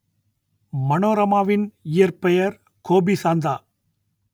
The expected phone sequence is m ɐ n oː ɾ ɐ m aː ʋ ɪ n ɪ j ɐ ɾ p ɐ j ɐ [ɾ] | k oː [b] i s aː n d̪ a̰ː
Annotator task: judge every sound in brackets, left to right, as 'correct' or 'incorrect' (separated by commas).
correct, correct